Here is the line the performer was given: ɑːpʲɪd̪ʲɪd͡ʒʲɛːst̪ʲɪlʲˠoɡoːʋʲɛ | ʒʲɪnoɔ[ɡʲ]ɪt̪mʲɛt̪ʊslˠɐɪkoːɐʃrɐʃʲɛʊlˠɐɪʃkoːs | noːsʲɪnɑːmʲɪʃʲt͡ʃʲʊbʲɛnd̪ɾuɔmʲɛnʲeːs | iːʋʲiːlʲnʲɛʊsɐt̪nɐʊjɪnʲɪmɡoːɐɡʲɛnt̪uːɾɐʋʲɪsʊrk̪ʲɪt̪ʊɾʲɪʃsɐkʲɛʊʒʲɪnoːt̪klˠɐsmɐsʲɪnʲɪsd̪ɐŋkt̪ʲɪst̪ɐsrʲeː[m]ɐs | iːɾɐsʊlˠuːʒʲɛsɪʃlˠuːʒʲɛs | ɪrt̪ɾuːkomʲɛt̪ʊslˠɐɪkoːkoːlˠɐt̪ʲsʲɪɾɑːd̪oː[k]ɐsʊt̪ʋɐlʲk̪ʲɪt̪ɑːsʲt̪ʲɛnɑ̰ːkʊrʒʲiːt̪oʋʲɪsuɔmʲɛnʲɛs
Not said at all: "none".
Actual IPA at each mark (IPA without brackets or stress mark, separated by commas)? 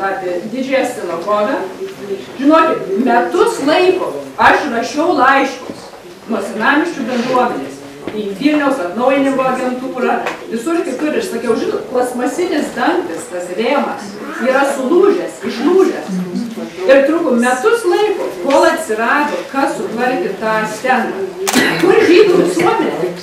kʲ, m, k